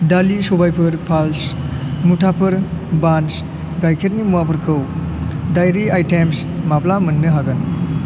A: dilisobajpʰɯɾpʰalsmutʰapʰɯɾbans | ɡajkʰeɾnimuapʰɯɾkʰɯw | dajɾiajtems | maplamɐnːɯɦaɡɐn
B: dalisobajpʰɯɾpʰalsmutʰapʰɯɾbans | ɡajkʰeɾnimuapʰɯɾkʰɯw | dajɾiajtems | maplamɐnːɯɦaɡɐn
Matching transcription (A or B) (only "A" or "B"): B